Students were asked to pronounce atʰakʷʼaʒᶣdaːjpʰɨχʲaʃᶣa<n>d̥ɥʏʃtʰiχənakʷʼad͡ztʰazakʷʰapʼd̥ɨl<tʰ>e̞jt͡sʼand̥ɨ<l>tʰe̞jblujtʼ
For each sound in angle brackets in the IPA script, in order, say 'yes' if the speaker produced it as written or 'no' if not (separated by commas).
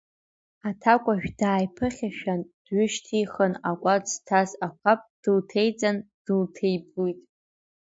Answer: yes, yes, yes